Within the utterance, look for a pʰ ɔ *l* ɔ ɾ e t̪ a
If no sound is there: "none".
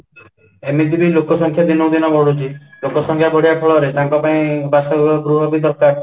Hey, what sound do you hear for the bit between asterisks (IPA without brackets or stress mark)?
ɭ